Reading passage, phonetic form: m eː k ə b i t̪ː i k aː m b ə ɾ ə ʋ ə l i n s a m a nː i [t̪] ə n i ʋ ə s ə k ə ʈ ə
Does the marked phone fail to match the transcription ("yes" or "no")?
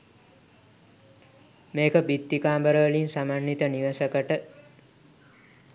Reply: no